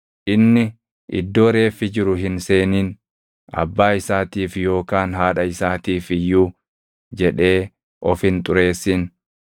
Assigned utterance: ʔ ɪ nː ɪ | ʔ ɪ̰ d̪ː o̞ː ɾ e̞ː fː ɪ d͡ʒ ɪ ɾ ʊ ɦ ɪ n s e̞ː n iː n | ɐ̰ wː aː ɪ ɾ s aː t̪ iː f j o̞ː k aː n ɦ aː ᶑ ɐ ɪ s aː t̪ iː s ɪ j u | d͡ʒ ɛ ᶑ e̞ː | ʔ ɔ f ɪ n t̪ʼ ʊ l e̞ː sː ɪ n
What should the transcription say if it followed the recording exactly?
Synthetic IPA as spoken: ʔ ɪ nː ɪ | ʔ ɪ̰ d̪ː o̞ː ɾ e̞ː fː ɪ d͡ʒ ɪ ɾ ʊ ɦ ɪ n s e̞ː n iː n | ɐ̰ bː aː ɪ s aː t̪ iː f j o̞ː k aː n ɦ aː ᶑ ɐ ɪ s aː t̪ iː f ɪ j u | d͡ʒ ɛ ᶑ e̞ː | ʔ ɔ f ɪ n t̪ʼ ʊ ɾ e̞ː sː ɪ n